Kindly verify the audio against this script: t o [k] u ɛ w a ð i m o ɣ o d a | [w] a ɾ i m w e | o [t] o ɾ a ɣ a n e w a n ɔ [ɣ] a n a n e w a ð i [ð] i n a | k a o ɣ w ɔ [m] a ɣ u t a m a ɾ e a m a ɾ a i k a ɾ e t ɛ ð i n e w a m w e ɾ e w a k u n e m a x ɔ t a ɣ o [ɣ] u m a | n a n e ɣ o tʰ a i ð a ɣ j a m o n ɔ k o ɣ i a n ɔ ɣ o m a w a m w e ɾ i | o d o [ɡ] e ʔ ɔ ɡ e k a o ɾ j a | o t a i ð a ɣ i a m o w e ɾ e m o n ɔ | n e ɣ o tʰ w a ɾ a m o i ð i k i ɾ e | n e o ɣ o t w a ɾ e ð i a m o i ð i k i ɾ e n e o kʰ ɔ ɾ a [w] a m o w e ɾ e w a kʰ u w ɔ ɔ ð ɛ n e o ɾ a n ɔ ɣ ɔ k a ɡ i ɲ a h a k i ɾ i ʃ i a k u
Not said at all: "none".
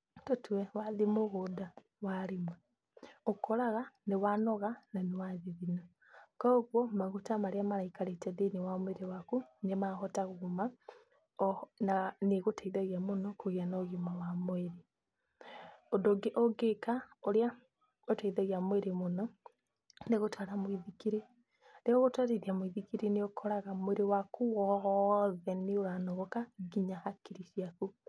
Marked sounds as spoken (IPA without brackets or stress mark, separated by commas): t, w, k, ɣ, ð, m, ɣ, ɡ, ɣ